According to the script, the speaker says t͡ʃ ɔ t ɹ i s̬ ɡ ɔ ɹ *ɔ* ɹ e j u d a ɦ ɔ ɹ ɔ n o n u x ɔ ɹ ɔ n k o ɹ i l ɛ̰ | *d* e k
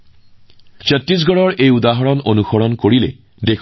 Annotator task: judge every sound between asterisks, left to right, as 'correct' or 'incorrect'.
correct, correct

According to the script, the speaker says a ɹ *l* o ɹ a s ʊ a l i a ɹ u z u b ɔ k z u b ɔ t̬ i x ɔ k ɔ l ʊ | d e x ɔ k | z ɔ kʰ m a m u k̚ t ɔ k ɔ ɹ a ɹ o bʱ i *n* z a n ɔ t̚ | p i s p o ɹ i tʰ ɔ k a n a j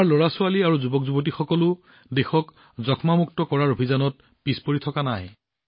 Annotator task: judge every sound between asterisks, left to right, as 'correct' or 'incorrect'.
correct, incorrect: none

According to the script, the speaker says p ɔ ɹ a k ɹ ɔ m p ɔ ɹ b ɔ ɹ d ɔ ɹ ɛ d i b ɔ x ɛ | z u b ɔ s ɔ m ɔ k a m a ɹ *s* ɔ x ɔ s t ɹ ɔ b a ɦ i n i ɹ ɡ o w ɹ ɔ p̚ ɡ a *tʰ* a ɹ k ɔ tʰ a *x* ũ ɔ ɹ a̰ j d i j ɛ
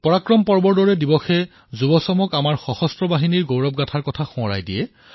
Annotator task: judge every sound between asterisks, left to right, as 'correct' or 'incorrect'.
incorrect: x, correct, correct

